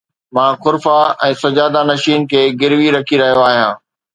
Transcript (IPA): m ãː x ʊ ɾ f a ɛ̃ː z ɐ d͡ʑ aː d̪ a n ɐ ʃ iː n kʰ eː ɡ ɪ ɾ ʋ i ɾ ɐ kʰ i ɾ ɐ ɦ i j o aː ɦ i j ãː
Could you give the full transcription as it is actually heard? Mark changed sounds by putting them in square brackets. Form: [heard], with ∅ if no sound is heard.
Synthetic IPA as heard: m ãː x ʊ ɾ f a ɛ̃ː [s] ɐ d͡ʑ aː d̪ a n ɐ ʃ iː n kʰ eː ɡ ɪ ɾ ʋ i ɾ ɐ kʰ i ɾ ɐ ɦ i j o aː ɦ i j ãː

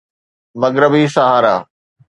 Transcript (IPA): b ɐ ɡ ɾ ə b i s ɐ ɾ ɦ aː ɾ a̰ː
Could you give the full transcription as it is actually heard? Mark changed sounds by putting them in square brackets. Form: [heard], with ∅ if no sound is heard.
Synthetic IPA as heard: [m] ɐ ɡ ɾ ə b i s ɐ [∅] ɦ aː ɾ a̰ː

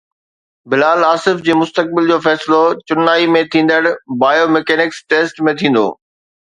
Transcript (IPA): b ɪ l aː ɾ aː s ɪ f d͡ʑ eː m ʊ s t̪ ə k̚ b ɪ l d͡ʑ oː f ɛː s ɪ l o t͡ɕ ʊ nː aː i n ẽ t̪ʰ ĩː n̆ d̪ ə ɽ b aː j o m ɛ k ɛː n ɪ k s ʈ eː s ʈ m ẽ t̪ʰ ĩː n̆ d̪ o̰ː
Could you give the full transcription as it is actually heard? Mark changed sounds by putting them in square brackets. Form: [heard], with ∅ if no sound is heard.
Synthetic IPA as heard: b ɪ l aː [l] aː s ɪ f d͡ʑ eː m ʊ s t̪ ə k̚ b ɪ l d͡ʑ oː f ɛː s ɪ l o t͡ɕ ʊ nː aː i [m] ẽ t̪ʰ ĩː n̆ d̪ ə ɽ b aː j o m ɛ k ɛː n ɪ k s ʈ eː s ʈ m ẽ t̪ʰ ĩː n̆ d̪ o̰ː

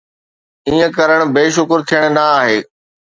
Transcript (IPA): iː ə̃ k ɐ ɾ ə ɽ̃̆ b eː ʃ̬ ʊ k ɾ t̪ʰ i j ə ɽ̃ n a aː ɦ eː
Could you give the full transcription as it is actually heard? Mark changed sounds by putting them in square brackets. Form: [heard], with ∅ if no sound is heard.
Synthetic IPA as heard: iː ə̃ k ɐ ɾ ə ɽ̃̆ b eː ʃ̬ ʊ k ɾ t̪ʰ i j ə ɽ̃ n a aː ɦ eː

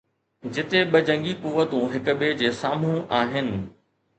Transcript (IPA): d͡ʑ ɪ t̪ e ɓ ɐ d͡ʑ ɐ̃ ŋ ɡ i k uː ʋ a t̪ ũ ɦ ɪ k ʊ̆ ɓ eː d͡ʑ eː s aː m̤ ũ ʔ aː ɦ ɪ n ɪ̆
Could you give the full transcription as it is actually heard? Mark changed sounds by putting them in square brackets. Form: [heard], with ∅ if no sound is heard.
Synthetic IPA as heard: d͡ʑ ɪ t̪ e ɓ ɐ d͡ʑ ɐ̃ ŋ ɡ i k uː ʋ [ə] t̪ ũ ɦ ɪ k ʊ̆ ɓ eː d͡ʑ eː s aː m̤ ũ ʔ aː ɦ ɪ n ɪ̆

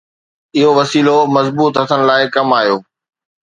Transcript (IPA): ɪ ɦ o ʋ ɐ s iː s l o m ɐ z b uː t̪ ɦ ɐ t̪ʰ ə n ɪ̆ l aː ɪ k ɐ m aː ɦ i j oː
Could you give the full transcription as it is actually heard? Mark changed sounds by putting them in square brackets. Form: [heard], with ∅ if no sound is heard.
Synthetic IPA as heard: ɪ ɦ o ʋ ɐ s iː [∅] l o m ɐ z b uː t̪ ɦ ɐ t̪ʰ ə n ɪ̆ l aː ɪ k ɐ m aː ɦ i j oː

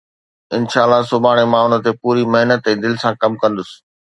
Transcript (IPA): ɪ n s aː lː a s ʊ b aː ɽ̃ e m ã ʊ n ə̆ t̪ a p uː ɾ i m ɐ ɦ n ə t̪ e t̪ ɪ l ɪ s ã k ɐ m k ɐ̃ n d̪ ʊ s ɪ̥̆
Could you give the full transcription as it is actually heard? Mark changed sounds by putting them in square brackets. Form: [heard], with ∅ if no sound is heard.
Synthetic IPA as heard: ɪ n [ʃ] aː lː a s ʊ b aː ɽ̃ e m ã ʊ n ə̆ t̪ [e] p uː ɾ i m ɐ ɦ n ə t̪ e [d̪] ɪ l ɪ s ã k ɐ m k ɐ̃ n d̪ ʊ s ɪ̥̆

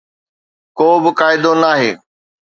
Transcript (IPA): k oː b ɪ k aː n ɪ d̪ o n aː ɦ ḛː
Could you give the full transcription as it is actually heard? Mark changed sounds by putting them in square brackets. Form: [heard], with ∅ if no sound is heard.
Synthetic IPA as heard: k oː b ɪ k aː [∅] ɪ d̪ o n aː ɦ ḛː

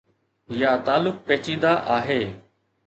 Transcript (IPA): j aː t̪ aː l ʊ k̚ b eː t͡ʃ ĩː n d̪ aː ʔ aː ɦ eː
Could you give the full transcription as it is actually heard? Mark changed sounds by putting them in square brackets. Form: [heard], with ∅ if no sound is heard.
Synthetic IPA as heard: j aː t̪ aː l ʊ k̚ [p] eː t͡ʃ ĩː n d̪ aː ʔ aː ɦ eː

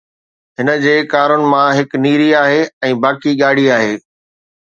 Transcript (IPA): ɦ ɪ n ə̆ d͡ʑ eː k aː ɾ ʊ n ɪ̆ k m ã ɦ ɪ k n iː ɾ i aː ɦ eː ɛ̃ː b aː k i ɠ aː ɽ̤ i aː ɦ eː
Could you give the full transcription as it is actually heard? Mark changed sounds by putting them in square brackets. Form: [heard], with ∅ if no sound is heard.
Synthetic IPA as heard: ɦ ɪ n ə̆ d͡ʑ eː k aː ɾ ʊ n ɪ̆ [∅] m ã ɦ ɪ k n iː ɾ i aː ɦ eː ɛ̃ː b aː k i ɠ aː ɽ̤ i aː ɦ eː

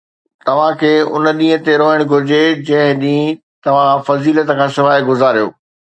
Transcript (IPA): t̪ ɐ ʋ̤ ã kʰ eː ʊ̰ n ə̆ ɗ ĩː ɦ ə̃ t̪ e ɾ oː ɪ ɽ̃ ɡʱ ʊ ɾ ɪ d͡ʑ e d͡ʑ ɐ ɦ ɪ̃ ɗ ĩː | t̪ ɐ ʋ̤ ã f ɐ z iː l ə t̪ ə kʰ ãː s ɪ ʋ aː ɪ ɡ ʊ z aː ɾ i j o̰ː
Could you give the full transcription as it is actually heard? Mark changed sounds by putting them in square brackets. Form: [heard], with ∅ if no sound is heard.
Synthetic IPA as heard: t̪ ɐ ʋ̤ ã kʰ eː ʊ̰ n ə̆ ɗ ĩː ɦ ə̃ t̪ e ɾ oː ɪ ɽ̃ ɡʱ ʊ ɾ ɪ d͡ʑ e d͡ʑ [ɐ̃] ɦ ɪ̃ ɗ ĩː | t̪ ɐ ʋ̤ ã f ɐ z iː l ə t̪ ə kʰ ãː s ɪ ʋ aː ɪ ɡ ʊ z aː ɾ i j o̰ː

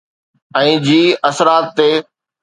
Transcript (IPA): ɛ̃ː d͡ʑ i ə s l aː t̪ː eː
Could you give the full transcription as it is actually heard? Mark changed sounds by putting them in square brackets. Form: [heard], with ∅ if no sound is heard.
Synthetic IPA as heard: ɛ̃ː d͡ʑ [iː] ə s [ɾ] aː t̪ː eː

